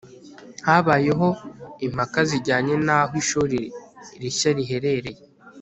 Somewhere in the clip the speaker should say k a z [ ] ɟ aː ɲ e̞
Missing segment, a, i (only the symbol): i